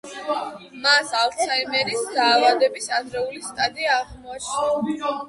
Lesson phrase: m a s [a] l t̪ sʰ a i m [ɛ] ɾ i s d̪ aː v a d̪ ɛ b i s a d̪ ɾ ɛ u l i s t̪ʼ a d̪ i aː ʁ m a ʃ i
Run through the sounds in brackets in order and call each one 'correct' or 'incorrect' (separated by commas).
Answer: correct, correct